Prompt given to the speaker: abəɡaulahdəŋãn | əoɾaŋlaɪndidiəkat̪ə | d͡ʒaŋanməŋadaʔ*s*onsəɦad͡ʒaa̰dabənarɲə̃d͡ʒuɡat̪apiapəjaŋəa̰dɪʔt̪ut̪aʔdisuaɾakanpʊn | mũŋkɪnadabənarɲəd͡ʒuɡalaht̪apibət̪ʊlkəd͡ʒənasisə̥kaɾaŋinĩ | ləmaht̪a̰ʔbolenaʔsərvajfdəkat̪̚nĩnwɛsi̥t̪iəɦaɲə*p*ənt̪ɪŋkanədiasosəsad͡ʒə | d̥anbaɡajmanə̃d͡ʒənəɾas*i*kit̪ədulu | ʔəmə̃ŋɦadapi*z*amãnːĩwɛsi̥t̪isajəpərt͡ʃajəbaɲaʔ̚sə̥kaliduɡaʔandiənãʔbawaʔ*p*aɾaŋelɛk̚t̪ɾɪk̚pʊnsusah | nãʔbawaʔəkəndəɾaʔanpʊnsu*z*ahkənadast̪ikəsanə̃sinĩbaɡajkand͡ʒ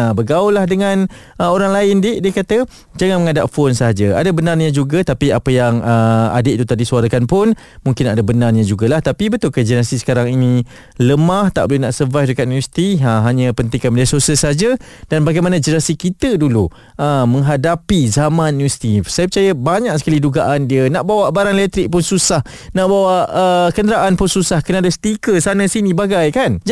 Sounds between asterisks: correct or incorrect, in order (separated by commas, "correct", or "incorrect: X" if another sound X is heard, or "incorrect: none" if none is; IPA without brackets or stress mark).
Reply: incorrect: f, correct, correct, correct, incorrect: b, incorrect: s